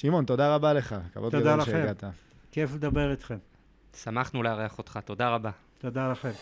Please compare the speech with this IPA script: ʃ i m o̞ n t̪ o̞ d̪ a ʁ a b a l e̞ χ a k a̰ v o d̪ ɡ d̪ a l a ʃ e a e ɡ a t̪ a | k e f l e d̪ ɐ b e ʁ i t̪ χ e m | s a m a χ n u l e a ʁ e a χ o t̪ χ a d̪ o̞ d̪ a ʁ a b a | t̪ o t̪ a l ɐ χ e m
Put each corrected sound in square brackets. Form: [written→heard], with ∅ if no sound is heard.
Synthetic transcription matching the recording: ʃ i m o̞ n t̪ o̞ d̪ a ʁ a b a l e̞ χ a k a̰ v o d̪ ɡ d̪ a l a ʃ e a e ɡ a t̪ a | k e f l e d̪ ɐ b e ʁ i t̪ χ e m | s a m a χ n u l e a ʁ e a χ o t̪ χ a [d̪→t̪] o̞ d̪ a ʁ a b a | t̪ o [t̪→d̪] a l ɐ χ e m